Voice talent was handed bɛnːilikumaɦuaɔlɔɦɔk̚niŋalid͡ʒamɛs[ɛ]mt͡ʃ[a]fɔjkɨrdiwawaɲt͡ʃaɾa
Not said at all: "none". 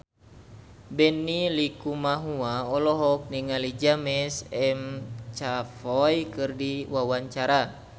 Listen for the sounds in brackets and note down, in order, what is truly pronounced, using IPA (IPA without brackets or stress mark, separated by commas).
ɛ, a